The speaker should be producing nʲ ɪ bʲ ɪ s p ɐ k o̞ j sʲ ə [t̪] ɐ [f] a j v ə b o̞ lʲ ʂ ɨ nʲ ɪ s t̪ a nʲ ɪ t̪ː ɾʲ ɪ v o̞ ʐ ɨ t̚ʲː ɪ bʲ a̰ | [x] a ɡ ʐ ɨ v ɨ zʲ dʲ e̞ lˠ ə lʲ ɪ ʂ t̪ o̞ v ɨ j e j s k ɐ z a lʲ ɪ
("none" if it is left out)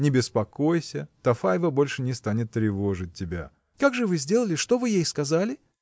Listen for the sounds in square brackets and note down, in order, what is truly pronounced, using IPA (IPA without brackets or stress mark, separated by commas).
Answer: t̪, f, k